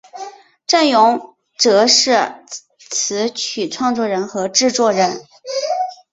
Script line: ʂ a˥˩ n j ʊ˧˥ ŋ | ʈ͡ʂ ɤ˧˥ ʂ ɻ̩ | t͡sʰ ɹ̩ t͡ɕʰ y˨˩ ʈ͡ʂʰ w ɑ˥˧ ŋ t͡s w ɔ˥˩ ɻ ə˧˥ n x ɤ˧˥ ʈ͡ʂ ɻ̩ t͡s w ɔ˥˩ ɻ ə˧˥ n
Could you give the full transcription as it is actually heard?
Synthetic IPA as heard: ʈ͡ʂ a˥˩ n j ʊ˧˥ ŋ | ʈ͡ʂ ɤ˧˥ ʂ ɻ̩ | t͡sʰ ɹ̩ t͡ɕʰ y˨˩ ʈ͡ʂʰ w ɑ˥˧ ŋ t͡s w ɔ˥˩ ɻ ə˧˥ n x ɤ˧˥ ʈ͡ʂ ɻ̩ t͡s w ɔ˥˩ ɻ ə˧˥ n